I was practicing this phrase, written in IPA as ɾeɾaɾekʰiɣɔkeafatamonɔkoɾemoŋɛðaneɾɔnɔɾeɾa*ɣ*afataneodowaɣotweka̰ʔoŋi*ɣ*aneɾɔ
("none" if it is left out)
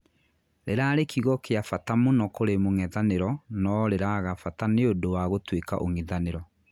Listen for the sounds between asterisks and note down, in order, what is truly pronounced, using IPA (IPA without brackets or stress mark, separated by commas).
ɣ, ð